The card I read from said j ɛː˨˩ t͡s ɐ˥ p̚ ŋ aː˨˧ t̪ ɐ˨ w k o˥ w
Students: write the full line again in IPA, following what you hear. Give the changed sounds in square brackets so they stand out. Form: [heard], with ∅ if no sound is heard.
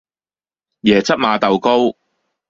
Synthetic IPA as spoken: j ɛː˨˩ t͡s ɐ˥ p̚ [m] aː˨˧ t̪ ɐ˨ w k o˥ w